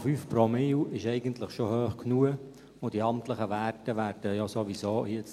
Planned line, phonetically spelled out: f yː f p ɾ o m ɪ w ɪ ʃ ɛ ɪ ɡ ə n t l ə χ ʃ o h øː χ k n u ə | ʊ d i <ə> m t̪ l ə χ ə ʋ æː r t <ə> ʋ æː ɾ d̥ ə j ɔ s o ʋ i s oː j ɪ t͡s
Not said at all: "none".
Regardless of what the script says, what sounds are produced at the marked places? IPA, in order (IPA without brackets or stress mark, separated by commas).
ɑ, ə